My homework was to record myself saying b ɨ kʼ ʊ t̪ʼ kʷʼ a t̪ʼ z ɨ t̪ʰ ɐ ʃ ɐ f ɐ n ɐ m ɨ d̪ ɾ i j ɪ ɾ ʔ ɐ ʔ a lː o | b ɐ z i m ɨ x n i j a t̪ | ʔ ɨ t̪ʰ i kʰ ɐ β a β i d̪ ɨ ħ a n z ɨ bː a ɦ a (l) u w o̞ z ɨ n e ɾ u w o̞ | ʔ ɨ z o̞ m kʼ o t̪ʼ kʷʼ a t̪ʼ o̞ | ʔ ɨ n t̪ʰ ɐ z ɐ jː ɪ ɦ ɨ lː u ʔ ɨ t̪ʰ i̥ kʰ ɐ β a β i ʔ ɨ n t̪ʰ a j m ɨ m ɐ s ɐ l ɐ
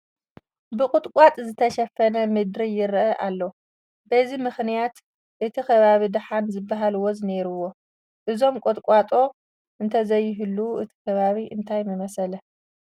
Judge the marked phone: correct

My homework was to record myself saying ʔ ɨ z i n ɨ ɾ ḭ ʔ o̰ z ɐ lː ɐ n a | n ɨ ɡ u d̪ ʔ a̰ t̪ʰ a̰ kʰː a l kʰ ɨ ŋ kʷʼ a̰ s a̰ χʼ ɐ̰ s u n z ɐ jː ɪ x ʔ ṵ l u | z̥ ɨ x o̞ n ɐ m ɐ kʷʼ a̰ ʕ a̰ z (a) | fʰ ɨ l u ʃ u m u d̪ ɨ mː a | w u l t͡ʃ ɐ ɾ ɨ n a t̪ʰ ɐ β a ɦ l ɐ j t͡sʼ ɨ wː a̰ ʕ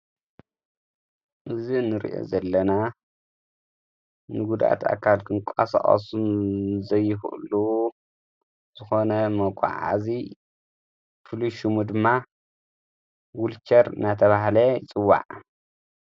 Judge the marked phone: incorrect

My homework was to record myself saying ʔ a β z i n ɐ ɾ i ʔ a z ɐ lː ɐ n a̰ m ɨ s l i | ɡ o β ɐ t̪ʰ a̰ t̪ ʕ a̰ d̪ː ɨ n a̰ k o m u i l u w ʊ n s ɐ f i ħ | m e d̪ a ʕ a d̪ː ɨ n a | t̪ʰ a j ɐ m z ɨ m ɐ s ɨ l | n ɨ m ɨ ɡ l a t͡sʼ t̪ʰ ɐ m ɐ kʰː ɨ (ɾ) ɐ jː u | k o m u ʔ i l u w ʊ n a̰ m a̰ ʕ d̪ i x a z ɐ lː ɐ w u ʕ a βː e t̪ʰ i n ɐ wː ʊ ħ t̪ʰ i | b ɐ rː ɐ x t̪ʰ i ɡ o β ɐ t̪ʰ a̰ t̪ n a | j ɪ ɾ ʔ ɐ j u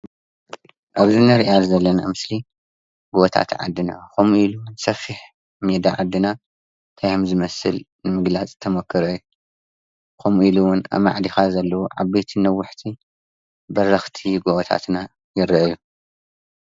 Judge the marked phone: correct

